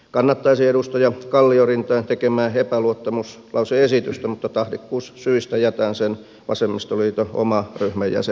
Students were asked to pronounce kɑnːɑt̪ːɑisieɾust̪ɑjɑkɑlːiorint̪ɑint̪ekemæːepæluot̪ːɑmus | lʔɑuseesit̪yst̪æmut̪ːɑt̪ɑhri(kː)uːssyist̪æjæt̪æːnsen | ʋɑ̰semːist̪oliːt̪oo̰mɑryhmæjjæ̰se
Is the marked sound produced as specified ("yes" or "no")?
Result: yes